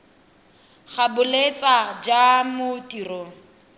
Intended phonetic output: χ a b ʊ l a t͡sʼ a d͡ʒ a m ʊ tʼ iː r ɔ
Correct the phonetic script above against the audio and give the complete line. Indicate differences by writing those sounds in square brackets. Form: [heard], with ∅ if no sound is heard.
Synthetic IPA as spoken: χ a b ʊ l [e] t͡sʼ a d͡ʒ a m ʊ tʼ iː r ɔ